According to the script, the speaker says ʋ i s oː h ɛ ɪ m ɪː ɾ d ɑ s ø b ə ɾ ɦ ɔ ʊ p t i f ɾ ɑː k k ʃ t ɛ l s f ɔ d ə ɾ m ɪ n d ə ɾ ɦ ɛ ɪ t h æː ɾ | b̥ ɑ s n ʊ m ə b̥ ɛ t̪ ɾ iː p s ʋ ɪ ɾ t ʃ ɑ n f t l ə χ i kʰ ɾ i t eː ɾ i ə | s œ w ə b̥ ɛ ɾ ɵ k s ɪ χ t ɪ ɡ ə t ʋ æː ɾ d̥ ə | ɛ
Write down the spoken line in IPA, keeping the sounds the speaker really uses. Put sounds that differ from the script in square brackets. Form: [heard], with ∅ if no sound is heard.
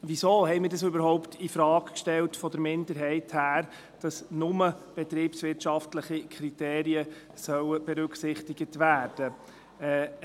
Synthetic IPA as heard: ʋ i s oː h ɛ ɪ m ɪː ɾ d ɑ s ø b ə ɾ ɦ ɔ ʊ p t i f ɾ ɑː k k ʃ t ɛ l [t] f ɔ d ə ɾ m ɪ n d ə ɾ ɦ ɛ ɪ t h æː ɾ | [d̥] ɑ s n ʊ m ə b̥ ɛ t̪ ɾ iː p s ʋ ɪ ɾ t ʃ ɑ [∅] f t l ə χ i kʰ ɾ i t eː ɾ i ə | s œ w ə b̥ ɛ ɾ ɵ k s ɪ χ t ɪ ɡ ə t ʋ æː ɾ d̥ ə | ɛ